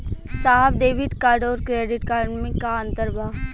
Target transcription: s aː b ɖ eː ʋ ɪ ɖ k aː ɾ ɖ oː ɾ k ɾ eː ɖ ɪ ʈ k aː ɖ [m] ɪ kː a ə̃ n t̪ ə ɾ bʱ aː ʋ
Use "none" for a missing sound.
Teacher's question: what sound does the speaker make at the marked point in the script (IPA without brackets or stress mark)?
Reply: m